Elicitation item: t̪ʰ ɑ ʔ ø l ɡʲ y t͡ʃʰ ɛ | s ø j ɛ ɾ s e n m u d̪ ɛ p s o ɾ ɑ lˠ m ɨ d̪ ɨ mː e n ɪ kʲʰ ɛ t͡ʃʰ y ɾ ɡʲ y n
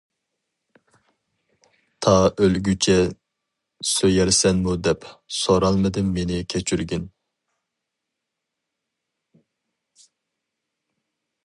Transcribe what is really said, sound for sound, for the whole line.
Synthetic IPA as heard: t̪ʰ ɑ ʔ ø l ɡʲ y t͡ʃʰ ɛ | s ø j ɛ ɾ s ɛ n m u d̪ ɛ p s o ɾ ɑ lˠ m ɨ d̪ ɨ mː e n ɪ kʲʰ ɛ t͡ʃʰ y ɾ ɡʲ y n